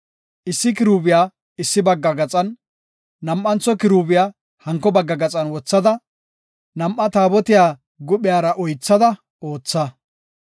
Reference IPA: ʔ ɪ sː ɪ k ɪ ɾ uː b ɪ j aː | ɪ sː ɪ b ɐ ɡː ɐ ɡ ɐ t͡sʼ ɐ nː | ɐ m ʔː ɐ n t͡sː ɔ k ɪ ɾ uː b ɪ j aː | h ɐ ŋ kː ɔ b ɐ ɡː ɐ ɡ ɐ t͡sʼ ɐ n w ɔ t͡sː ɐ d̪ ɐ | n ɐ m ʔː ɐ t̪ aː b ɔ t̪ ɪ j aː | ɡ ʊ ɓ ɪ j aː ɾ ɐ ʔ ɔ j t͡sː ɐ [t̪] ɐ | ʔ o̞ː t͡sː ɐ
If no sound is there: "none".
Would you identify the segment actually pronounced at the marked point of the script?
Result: d̪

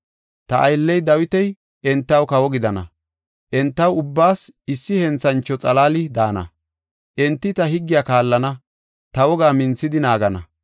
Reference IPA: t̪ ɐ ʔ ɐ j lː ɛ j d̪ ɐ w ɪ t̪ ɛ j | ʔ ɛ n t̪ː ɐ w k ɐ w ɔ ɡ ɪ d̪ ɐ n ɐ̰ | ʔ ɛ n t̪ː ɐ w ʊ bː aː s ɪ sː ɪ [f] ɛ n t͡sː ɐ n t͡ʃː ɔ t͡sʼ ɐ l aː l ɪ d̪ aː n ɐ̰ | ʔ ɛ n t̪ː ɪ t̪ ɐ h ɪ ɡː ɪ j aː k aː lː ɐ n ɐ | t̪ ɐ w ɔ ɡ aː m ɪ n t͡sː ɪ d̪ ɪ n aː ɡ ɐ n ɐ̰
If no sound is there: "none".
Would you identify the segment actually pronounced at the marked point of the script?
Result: h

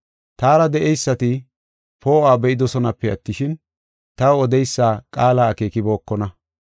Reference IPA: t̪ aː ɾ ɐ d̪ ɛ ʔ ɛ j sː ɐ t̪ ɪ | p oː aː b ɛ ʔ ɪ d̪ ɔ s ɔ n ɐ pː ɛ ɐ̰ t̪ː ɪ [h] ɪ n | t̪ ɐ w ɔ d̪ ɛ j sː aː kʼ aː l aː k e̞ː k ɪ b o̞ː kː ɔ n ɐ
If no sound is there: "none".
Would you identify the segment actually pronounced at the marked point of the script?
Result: ʃ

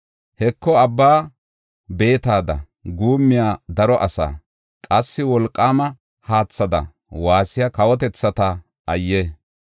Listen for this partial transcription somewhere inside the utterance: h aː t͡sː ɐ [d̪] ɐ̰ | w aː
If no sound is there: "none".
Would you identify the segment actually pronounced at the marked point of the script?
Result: d̪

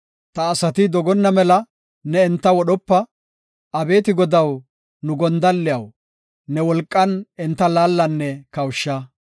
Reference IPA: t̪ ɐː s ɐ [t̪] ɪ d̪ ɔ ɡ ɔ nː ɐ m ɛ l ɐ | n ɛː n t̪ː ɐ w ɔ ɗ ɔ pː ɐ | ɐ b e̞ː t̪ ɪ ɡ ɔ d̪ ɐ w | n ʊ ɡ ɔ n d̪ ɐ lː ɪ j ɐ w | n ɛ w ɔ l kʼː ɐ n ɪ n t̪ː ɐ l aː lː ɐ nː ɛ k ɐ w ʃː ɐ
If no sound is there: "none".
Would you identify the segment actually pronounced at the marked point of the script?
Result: t̪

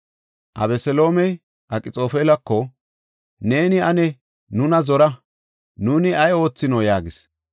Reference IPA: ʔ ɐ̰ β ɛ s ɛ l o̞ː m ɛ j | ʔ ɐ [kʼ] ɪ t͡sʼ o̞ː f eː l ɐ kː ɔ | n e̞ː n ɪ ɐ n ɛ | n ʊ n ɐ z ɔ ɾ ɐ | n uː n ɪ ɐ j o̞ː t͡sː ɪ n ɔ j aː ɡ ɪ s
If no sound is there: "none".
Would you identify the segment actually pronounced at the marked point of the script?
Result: kʼ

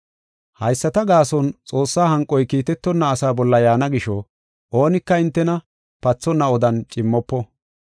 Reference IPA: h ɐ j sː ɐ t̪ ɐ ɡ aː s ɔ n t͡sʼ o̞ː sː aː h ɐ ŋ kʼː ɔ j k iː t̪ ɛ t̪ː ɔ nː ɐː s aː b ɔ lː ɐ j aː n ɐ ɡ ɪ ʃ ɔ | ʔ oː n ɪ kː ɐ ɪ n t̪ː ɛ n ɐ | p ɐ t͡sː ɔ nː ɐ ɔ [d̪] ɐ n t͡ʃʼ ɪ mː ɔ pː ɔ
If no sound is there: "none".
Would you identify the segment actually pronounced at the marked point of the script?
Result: d̪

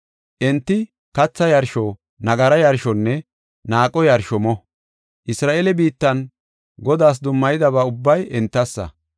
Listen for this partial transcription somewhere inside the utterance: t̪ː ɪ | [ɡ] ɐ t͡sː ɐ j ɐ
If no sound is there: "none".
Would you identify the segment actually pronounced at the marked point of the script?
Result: k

